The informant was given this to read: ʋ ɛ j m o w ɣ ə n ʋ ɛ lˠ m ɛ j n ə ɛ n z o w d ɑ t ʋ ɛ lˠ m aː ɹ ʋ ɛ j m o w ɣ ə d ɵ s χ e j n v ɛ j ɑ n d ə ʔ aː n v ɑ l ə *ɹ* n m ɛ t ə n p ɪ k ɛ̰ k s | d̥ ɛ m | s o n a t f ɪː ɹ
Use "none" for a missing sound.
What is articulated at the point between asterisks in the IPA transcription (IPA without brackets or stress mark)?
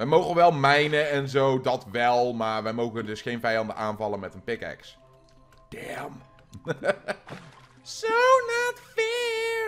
none